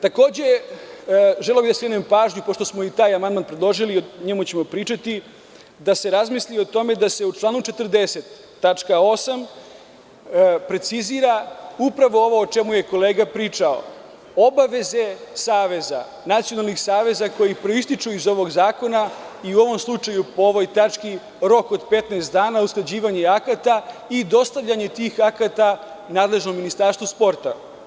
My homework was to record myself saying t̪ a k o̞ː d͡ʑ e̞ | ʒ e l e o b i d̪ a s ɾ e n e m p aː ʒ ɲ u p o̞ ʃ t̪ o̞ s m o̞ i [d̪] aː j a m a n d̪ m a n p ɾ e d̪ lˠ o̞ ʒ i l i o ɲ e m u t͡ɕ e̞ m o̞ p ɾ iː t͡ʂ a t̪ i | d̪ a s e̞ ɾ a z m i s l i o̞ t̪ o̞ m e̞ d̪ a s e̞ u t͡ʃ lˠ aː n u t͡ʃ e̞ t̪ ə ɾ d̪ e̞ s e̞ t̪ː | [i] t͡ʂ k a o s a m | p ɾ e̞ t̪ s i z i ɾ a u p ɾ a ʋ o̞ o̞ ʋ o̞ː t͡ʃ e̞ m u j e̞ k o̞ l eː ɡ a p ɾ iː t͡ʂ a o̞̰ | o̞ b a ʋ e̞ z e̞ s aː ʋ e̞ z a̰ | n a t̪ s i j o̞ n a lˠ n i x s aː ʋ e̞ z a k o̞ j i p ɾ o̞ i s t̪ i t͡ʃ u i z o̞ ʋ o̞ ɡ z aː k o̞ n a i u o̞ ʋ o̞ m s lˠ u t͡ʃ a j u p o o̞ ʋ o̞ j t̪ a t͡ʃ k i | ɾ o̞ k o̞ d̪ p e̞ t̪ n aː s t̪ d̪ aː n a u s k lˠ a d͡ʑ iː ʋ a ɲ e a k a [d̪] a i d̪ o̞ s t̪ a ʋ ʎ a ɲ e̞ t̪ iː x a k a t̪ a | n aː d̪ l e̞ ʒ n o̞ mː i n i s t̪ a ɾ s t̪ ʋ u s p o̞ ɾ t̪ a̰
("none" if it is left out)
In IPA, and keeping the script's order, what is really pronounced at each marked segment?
t̪, a, t̪

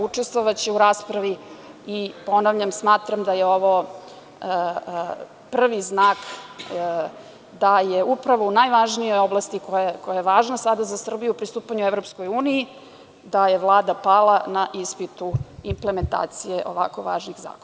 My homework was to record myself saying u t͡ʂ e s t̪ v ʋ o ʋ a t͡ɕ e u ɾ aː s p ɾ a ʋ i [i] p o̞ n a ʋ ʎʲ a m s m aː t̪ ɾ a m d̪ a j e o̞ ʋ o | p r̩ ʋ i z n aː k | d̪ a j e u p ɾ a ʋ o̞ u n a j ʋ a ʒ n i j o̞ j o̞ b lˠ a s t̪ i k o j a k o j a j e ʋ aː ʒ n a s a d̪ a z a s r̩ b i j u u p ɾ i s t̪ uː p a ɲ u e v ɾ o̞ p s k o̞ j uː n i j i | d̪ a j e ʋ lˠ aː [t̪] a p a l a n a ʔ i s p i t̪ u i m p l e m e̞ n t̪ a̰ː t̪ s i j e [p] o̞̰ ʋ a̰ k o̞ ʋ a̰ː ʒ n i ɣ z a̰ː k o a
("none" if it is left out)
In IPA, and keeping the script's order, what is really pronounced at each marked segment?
i, d̪, ʔ

